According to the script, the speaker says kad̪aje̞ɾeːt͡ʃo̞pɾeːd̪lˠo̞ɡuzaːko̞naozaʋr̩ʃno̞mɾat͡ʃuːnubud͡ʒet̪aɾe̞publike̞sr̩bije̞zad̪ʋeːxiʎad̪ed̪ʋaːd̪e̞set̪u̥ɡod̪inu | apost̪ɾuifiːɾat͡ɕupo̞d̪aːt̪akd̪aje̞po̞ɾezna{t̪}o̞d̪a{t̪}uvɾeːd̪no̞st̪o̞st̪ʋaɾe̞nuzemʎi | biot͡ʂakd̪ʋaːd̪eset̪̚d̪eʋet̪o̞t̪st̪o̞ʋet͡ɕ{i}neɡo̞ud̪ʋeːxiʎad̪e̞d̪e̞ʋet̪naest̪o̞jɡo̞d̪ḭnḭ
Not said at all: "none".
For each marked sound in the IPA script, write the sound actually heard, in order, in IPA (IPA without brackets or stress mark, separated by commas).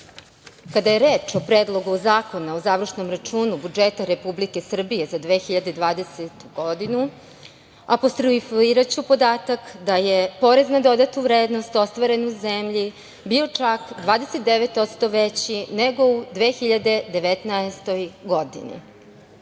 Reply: d̪, t̪, i